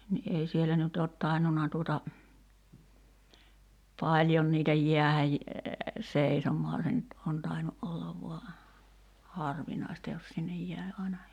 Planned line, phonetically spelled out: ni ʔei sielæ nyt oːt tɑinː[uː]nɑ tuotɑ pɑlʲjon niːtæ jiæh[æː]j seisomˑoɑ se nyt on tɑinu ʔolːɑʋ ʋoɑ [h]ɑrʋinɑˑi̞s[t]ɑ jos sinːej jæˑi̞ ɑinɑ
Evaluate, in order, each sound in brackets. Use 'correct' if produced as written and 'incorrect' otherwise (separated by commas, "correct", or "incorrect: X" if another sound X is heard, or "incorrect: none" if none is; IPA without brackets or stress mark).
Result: incorrect: u, incorrect: æ, correct, correct